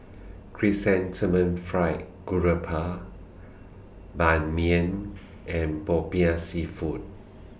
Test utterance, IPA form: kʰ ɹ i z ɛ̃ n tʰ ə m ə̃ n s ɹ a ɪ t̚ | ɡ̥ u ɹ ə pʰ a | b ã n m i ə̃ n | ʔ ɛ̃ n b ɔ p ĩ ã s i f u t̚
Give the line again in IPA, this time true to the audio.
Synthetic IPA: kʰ ɹ i s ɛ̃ n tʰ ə m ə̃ n f ɹ a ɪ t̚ | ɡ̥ u ɹ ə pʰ a | b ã n m i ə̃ n | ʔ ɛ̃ n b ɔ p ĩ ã s i f u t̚